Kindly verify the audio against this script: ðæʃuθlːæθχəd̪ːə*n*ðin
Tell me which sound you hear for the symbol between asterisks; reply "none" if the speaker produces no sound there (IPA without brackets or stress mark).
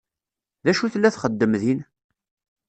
m